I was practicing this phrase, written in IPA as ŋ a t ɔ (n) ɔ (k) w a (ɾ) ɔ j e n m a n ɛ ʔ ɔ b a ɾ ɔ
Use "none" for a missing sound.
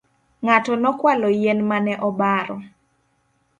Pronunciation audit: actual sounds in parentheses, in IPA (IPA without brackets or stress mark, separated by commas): n, k, l